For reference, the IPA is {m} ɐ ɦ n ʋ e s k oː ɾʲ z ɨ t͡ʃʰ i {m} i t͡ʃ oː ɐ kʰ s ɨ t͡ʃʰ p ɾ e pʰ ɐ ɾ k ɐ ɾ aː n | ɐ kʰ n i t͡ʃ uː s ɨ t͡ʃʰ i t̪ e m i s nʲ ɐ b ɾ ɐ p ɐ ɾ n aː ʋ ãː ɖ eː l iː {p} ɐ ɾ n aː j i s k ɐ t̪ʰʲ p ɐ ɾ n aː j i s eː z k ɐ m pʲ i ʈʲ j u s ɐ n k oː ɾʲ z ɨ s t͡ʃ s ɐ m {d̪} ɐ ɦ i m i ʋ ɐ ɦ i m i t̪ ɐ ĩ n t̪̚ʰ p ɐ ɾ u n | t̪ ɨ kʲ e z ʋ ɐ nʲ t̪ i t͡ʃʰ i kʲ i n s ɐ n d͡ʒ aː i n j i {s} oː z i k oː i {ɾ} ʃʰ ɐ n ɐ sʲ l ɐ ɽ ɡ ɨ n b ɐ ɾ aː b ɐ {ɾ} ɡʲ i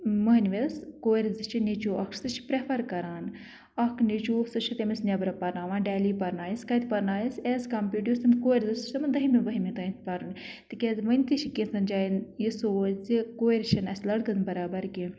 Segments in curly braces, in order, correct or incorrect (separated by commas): correct, incorrect, correct, correct, correct, correct, correct